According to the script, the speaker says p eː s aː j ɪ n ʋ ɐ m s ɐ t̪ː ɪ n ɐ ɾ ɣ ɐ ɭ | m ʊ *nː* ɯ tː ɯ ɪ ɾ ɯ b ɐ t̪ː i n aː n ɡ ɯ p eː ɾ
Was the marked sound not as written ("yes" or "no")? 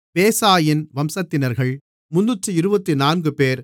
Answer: no